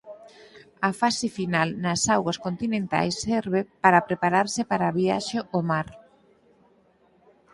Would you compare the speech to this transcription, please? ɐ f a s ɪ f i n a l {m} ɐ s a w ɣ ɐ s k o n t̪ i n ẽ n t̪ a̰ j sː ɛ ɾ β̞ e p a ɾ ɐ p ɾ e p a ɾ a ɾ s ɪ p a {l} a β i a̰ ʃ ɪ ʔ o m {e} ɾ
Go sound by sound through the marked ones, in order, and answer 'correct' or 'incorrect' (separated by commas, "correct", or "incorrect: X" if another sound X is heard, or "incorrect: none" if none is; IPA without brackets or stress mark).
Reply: incorrect: n, incorrect: ɾ, incorrect: a